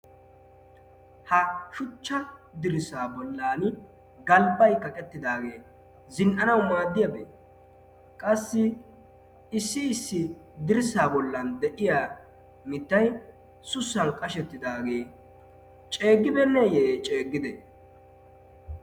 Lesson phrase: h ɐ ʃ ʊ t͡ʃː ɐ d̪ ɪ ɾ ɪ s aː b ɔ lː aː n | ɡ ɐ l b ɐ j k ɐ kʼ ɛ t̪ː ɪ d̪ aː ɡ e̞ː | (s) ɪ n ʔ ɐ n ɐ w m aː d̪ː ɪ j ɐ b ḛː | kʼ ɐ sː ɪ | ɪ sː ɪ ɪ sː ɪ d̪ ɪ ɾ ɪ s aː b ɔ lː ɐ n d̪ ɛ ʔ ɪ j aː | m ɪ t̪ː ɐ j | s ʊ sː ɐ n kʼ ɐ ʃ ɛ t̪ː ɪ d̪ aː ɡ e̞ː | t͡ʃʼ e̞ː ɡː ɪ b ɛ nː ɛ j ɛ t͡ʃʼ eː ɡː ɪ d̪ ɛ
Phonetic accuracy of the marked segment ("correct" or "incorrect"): incorrect